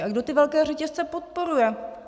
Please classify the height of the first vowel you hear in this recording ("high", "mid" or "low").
low